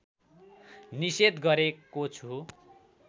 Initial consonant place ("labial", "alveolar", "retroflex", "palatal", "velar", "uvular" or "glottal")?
alveolar